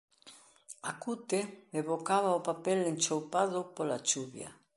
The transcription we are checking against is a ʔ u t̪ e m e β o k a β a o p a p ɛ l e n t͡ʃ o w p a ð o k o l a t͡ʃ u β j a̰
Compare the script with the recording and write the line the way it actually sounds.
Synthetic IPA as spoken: a k u t̪ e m e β o k a β a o p a p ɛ l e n t͡ʃ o w p a ð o p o l a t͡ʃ u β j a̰